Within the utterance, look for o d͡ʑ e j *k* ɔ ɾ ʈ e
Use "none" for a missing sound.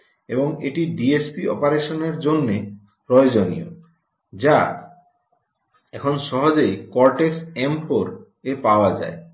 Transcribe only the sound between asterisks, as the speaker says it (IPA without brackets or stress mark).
k